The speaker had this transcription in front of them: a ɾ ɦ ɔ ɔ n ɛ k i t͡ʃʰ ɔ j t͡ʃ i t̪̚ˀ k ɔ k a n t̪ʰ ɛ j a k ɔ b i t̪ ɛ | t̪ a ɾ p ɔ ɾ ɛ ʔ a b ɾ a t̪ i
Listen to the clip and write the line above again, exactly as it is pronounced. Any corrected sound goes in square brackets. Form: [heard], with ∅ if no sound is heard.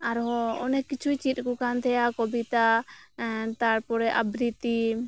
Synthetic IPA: a ɾ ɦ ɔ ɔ n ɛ k i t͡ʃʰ [u] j t͡ʃ i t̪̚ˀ k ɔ k a n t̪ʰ ɛ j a k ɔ b i t̪ [a] | t̪ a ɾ p ɔ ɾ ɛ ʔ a b ɾ [i] t̪ i